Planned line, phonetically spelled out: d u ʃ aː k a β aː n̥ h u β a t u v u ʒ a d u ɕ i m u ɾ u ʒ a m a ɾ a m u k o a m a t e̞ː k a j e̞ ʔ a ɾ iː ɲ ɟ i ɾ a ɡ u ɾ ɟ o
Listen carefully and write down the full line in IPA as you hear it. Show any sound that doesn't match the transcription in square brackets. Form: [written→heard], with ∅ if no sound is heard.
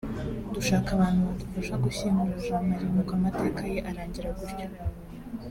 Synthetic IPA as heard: d u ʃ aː k a β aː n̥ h u β a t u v u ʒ a [d→ɡ] u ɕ i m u ɾ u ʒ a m a ɾ [a→i] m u k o a m a t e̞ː k a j e̞ ʔ a ɾ [iː→aː] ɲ ɟ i ɾ a ɡ u ɾ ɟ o